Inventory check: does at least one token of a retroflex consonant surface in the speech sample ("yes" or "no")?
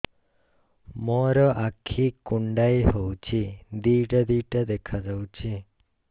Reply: yes